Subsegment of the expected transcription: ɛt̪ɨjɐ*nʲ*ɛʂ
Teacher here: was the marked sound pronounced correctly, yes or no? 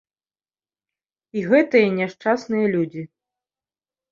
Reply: yes